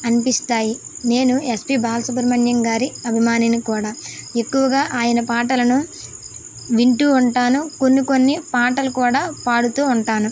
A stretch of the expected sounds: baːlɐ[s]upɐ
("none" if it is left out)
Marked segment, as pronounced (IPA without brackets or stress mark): s